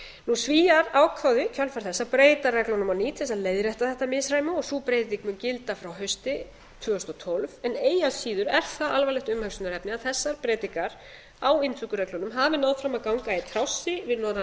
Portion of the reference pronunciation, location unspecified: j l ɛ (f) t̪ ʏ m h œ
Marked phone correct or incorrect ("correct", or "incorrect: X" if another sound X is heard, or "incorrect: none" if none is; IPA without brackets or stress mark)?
incorrect: h